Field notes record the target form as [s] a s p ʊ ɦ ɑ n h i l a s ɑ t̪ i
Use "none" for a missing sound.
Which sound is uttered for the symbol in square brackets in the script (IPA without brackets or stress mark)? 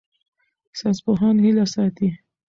s